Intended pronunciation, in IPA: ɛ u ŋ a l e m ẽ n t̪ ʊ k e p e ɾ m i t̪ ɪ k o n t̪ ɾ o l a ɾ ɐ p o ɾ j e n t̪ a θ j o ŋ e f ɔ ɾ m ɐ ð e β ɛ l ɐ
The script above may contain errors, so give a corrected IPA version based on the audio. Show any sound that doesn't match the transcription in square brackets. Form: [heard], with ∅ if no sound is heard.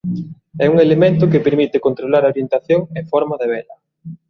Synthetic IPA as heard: ɛ u ŋ [e] l e m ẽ n t̪ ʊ k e p e ɾ m i t̪ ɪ k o n t̪ ɾ o l a ɾ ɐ [∅] o ɾ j e n t̪ a θ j o ŋ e f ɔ ɾ m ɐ ð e β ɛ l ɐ